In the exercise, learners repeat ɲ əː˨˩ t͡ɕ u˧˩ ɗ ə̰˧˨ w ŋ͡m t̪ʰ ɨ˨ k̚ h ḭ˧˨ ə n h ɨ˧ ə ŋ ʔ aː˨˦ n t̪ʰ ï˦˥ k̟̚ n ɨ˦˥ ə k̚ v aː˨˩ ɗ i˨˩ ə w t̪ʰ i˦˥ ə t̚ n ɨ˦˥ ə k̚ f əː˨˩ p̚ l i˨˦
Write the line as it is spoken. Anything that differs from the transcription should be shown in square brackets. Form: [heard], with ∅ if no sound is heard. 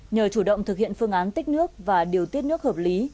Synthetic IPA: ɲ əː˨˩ t͡ɕ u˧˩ ɗ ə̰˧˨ w ŋ͡m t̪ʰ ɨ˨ k̚ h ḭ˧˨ ə n [f] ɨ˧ ə ŋ ʔ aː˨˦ n [t̪] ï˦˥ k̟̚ n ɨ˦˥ ə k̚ v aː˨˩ ɗ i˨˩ ə w [t̪] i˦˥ ə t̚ n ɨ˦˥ ə k̚ [h] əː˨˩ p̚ l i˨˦